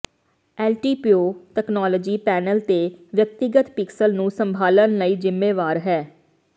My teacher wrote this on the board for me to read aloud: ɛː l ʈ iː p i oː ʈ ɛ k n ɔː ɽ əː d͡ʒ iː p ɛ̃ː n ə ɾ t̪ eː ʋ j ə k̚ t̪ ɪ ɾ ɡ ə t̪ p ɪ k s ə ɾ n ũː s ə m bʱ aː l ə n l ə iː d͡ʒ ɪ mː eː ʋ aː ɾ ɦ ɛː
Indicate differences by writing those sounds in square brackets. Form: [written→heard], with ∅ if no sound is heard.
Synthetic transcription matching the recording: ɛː l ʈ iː p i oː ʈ ɛ k n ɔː [ɽ→l] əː d͡ʒ iː p [ɛ̃ː→ɛː] n ə [ɾ→l] t̪ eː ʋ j ə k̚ t̪ ɪ [ɾ→∅] ɡ ə t̪ p ɪ k s ə [ɾ→l] n ũː s ə m bʱ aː l ə n l ə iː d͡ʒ ɪ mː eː ʋ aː ɾ ɦ ɛː